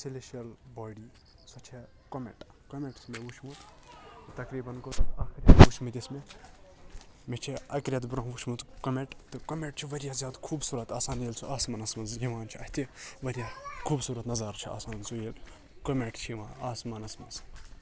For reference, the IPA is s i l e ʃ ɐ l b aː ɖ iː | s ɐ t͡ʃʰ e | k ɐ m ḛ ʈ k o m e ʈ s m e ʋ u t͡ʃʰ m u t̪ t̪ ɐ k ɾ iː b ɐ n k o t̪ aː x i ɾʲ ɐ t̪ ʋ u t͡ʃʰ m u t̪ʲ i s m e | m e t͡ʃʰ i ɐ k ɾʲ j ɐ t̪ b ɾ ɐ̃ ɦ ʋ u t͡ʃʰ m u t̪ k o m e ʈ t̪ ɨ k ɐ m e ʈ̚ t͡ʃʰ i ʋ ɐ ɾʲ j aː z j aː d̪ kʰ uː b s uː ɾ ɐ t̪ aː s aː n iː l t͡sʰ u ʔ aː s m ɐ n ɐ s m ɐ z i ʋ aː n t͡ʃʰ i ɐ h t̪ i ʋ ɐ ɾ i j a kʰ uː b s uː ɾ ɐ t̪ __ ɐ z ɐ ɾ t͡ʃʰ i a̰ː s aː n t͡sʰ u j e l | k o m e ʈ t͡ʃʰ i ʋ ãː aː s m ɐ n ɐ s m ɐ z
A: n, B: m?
A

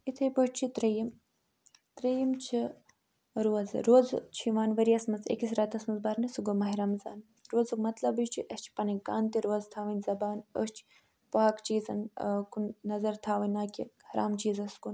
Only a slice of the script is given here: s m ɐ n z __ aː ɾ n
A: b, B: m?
A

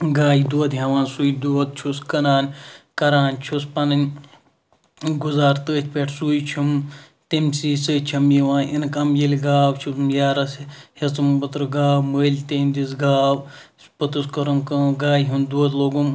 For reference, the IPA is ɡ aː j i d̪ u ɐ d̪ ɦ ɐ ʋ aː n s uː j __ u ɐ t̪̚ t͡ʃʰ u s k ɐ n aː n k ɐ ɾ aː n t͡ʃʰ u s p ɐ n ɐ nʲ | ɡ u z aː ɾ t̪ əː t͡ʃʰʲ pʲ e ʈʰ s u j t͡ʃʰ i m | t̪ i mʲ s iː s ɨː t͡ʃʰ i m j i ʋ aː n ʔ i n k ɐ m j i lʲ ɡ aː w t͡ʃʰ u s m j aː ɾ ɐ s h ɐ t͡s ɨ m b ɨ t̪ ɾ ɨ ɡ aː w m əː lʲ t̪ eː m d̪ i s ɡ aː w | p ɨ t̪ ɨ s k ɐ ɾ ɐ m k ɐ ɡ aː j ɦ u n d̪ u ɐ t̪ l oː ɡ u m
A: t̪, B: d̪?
B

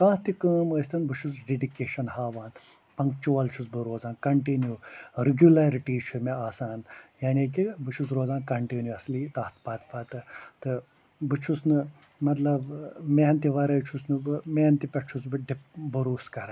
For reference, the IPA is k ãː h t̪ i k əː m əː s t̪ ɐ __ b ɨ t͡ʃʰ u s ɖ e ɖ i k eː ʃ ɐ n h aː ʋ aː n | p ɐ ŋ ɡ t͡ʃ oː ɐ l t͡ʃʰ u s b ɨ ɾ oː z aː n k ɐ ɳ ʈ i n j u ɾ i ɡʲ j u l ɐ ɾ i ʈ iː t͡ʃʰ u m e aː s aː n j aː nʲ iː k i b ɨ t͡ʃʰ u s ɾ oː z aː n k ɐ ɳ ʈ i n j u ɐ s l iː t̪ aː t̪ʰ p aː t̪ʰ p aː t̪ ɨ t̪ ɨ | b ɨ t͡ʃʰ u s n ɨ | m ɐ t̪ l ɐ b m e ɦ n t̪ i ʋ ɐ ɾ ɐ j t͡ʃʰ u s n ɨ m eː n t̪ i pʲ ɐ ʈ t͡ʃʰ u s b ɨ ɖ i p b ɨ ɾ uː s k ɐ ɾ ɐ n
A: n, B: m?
A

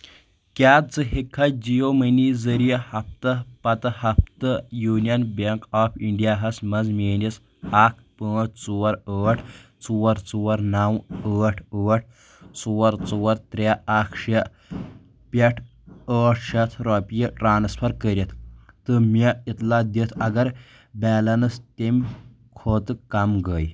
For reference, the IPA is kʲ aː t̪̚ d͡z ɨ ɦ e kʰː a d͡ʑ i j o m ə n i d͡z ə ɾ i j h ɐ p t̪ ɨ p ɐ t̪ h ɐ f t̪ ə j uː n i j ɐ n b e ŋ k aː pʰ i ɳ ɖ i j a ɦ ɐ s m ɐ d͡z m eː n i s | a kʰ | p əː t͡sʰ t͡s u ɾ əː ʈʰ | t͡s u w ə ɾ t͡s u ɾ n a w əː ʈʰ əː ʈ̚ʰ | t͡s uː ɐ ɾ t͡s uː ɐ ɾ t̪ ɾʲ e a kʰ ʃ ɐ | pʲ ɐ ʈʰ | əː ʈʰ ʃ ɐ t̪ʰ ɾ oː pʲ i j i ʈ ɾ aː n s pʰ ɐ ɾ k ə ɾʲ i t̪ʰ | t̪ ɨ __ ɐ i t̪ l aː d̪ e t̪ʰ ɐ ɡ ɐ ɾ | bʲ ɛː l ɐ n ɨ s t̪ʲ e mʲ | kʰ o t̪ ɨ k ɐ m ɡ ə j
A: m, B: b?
A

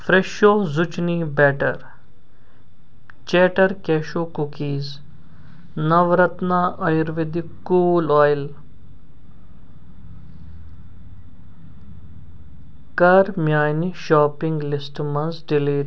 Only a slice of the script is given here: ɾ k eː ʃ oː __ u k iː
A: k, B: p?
A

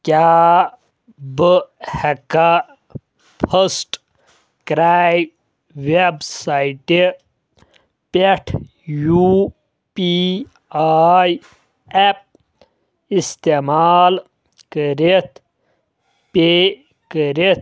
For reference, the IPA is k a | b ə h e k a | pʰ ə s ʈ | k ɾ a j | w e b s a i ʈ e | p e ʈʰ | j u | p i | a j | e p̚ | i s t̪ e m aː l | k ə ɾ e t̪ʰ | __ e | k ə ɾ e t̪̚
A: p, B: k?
A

